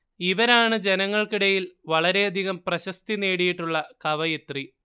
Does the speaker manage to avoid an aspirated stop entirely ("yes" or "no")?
yes